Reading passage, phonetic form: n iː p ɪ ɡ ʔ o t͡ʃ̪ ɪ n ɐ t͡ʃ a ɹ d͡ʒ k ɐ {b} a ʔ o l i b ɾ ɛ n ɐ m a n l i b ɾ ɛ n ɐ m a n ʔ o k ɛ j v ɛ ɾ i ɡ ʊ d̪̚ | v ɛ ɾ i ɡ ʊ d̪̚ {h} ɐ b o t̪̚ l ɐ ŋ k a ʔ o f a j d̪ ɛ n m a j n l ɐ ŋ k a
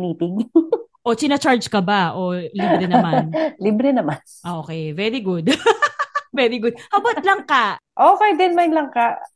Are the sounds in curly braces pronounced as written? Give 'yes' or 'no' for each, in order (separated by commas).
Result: yes, yes